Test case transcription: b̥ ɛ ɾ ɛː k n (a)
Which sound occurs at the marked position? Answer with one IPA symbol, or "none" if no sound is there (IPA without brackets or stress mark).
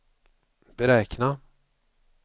a